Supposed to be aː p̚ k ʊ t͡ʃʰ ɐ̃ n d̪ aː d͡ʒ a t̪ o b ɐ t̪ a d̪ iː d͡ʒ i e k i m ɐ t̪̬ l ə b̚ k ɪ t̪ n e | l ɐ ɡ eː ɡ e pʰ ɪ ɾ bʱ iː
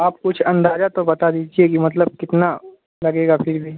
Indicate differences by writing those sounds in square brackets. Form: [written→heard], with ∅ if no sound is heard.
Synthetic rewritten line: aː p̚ k ʊ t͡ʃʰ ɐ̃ n d̪ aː d͡ʒ a t̪ o b ɐ t̪ a d̪ iː d͡ʒ i e k i m ɐ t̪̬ l ə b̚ k ɪ t̪ n [e→a] | l ɐ ɡ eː ɡ [e→a] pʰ ɪ ɾ bʱ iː